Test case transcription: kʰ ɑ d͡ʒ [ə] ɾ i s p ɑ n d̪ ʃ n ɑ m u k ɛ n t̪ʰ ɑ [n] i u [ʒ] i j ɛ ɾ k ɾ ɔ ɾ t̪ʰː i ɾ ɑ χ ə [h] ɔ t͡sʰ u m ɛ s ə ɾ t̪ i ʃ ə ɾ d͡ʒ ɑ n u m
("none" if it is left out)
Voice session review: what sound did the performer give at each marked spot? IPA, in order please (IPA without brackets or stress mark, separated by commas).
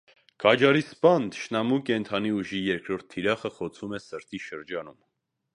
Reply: ɑ, n, ʒ, χ